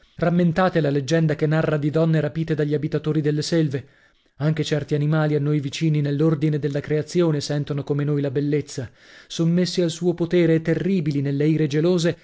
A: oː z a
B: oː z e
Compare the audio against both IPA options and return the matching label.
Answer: B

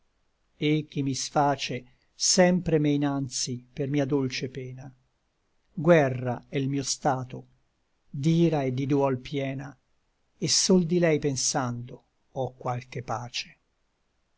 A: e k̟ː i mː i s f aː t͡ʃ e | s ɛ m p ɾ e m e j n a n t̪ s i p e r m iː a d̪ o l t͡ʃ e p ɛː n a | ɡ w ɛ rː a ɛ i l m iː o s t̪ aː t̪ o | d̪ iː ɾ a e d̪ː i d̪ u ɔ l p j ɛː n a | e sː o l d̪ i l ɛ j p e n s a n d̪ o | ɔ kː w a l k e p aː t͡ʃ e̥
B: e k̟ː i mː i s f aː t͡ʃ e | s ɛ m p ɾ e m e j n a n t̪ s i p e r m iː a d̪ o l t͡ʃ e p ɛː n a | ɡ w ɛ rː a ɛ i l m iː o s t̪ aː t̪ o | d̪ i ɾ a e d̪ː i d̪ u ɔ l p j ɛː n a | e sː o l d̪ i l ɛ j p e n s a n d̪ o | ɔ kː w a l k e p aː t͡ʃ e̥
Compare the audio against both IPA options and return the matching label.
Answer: A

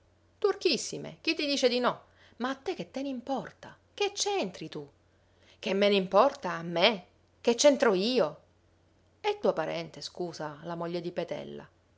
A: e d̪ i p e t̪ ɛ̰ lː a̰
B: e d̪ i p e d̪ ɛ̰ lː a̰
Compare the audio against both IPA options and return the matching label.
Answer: A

